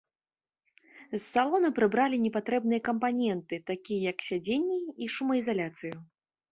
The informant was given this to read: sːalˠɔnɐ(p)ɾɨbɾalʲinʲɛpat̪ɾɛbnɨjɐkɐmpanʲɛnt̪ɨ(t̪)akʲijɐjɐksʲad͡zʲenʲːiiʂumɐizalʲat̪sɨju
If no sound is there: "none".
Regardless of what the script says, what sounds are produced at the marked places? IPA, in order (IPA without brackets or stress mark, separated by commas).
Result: p, t̪